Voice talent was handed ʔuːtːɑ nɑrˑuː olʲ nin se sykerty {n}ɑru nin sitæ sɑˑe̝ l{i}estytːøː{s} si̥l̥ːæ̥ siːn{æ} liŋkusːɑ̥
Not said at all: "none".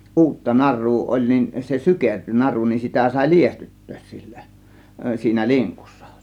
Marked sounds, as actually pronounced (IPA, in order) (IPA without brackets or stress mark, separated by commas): n, i, s, æ